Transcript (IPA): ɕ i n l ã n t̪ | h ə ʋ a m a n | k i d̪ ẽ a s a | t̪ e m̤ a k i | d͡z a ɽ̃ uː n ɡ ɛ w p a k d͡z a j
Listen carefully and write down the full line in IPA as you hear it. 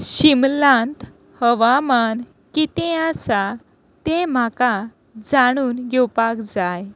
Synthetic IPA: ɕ i m l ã n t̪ | h ə ʋ a m a n | k i t̪ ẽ a s a | t̪ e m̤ a k a | d͡z a ɽ̃ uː n ɡ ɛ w p a k d͡z a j